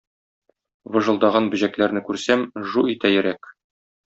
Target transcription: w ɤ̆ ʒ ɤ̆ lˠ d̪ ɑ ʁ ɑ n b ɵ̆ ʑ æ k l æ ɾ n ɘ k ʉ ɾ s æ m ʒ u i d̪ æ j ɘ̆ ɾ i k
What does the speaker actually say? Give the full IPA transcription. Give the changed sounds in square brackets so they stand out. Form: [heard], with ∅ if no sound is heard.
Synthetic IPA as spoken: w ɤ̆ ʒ ɤ̆ lˠ d̪ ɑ ʁ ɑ n b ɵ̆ ʑ æ k l æ ɾ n ɘ k ʉ ɾ s æ m ʒ u i [t̪] æ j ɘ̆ ɾ [æ] k